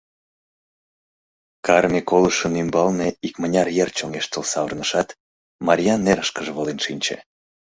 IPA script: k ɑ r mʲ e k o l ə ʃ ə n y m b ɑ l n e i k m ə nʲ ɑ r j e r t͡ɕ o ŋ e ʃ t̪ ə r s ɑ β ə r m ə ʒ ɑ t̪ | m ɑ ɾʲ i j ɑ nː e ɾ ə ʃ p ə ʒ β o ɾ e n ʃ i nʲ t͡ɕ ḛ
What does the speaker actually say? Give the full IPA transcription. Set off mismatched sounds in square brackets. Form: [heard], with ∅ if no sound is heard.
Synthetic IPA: k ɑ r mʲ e k o l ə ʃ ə n y m b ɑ l n e i k m ə nʲ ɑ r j e r t͡ɕ o ŋ e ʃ t̪ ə [l] s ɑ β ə r [n] ə [ʃ] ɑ t̪ | m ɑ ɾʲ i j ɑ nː e ɾ ə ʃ [k] ə ʒ β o [l] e n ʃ i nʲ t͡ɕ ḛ